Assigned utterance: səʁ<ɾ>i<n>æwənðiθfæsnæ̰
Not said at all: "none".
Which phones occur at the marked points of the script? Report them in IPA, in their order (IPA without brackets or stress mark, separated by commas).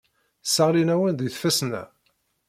l, n